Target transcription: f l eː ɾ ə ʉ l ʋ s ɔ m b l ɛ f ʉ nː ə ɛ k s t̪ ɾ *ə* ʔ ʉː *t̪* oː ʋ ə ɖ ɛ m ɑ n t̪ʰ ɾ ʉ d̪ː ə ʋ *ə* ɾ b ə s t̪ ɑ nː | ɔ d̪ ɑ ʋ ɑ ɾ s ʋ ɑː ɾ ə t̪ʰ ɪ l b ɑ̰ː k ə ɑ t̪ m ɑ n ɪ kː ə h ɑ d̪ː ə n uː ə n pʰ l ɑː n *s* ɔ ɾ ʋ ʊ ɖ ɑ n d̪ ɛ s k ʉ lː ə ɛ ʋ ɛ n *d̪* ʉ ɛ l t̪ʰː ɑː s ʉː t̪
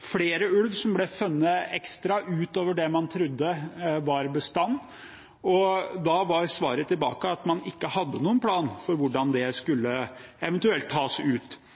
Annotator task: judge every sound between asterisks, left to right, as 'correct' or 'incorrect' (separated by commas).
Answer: incorrect, correct, incorrect, incorrect, incorrect